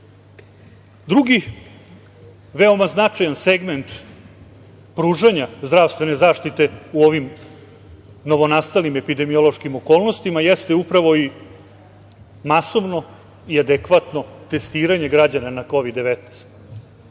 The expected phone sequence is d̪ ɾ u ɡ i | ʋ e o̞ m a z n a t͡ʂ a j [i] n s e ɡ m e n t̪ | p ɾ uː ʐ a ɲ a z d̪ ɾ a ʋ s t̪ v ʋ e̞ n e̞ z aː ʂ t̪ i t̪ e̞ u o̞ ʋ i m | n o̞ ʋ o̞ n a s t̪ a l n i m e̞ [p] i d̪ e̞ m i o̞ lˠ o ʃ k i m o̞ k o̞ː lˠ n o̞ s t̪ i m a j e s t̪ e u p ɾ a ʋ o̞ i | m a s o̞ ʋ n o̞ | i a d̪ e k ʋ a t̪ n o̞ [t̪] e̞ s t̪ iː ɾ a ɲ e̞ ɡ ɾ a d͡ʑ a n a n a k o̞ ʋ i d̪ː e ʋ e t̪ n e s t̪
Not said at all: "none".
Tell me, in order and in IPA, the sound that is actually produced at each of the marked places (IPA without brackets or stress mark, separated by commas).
a, p, t̪